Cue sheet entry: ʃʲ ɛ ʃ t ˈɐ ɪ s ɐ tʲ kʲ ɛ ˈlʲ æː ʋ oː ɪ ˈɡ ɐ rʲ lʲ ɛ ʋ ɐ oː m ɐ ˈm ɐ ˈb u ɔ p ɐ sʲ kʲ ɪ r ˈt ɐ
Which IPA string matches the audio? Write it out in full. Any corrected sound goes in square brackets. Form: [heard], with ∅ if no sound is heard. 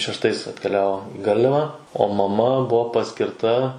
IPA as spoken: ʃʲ ɛ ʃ t ˈɐ ɪ s ɐ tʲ kʲ ɛ ˈlʲ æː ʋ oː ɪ ˈɡ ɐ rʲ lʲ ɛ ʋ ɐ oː m ɐ ˈm ɐ ˈb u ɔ p ɐ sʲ kʲ ɪ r ˈt ɐ